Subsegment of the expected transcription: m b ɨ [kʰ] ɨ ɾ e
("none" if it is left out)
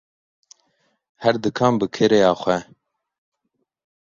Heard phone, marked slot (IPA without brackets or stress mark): kʰ